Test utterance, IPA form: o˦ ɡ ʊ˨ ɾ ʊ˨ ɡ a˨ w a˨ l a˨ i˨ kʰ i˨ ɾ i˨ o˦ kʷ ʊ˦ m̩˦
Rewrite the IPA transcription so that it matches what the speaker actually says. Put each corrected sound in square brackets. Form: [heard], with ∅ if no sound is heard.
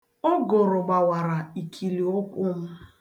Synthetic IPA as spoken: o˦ ɡ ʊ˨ ɾ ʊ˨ [ɡ͡b] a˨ w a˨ [ɾ] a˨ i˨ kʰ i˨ [l] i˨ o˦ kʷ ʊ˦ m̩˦